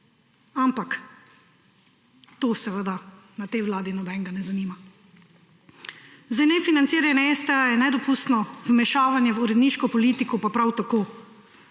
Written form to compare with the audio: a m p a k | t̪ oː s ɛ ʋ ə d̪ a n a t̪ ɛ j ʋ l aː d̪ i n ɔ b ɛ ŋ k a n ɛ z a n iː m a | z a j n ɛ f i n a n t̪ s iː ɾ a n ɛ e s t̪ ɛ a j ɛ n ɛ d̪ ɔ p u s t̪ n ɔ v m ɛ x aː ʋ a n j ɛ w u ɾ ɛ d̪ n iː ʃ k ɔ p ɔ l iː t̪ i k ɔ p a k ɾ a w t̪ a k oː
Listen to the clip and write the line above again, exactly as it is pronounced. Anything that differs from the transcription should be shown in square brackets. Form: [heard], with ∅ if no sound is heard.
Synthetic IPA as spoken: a m p a k | t̪ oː s ɛ ʋ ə d̪ a n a t̪ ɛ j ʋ l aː d̪ i n ɔ b ɛ ŋ [ɡ] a n ɛ z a n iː m a | z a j n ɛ f i n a n t̪ s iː ɾ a n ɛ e s t̪ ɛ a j ɛ n ɛ d̪ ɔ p u s t̪ n ɔ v m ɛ [ʃ] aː ʋ a n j ɛ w u ɾ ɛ d̪ n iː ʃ k ɔ p ɔ l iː t̪ i k ɔ p a [p] ɾ a w t̪ a k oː